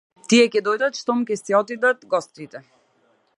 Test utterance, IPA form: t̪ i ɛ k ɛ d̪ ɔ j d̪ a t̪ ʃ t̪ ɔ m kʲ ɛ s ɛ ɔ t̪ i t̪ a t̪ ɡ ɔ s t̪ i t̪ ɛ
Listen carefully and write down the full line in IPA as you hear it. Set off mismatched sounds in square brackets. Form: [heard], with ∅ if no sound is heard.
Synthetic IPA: t̪ i ɛ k ɛ d̪ ɔ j d̪ a t̪ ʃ t̪ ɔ m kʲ ɛ s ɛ ɔ t̪ i [d̪] a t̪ ɡ ɔ s t̪ i t̪ ɛ